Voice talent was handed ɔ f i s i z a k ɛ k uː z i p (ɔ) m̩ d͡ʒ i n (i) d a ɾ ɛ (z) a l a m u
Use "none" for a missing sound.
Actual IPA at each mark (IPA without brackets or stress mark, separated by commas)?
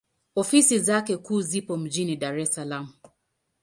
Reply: ɔ, i, s